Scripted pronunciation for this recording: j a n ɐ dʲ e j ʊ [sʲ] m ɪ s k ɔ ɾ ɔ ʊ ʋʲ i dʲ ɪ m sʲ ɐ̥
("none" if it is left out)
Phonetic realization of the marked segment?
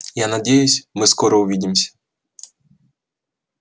sʲ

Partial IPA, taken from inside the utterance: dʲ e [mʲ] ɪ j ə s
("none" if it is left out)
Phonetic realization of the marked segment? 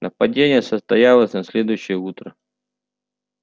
nʲ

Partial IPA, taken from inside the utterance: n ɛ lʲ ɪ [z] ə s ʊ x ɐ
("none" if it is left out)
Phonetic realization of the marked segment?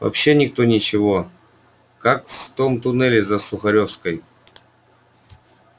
z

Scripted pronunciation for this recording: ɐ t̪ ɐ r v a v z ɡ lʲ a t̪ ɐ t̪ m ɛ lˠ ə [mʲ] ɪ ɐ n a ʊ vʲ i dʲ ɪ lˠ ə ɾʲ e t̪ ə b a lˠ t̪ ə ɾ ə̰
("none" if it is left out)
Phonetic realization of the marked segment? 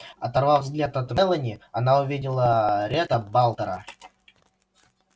nʲ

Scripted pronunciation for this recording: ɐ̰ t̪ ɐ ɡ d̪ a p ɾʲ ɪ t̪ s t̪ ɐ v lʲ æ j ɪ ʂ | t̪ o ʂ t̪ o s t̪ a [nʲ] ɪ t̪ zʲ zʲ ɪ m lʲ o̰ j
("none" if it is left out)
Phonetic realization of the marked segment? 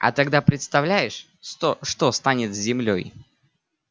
nʲ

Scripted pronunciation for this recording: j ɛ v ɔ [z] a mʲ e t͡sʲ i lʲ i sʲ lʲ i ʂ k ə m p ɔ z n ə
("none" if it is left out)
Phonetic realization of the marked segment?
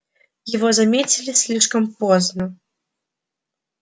z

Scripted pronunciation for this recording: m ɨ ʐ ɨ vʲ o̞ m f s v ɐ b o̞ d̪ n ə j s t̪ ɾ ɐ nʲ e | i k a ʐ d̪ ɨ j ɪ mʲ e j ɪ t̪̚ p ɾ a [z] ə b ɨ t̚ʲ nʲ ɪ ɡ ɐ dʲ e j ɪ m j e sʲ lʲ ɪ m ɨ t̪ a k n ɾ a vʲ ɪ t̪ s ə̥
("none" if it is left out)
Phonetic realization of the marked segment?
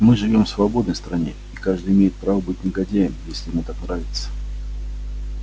v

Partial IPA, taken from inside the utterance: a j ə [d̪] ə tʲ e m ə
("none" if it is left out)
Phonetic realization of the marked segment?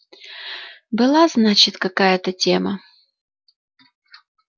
t̪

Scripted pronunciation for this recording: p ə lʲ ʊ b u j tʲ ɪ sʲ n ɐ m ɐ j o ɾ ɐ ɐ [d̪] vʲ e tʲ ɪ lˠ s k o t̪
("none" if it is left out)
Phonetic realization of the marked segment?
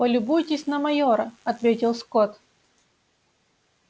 t̪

